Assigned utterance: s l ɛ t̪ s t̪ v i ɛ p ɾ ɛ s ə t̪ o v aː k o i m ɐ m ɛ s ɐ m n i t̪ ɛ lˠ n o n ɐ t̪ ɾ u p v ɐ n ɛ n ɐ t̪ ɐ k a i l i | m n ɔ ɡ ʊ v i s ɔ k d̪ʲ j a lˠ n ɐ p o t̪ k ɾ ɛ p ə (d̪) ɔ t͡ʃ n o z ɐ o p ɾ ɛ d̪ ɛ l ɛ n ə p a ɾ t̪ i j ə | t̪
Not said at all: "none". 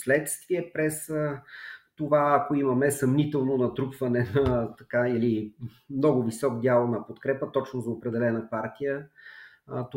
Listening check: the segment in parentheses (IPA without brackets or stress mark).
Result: t̪